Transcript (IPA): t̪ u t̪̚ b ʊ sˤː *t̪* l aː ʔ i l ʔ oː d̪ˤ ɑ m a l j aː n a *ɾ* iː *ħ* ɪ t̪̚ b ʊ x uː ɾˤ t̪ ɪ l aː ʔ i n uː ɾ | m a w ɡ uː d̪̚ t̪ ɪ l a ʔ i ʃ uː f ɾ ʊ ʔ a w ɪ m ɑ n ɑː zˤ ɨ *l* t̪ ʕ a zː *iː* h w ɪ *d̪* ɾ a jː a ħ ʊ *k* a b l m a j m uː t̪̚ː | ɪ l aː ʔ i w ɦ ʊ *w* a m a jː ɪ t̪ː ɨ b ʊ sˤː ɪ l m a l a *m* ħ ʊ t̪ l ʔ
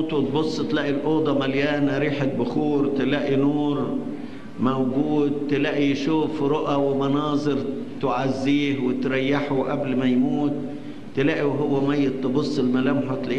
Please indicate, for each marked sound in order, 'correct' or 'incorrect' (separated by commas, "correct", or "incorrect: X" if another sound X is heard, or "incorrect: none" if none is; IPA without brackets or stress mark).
correct, correct, correct, incorrect: ɾ, correct, incorrect: t̪, incorrect: ʔ, incorrect: wː, correct